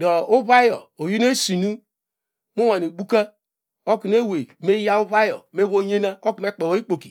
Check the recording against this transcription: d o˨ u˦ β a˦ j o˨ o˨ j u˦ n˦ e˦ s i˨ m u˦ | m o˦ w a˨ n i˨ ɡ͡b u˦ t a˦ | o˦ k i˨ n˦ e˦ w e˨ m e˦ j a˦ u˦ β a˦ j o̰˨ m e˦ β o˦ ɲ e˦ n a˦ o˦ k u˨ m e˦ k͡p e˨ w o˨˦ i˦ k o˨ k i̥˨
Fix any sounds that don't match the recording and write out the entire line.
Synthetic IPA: d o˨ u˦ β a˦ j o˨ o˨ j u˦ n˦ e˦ s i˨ n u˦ | m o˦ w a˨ n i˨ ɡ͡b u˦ k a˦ | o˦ k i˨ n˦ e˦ w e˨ m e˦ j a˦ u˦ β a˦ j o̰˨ m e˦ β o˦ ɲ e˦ n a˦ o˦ k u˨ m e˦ k͡p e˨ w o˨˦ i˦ k͡p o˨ k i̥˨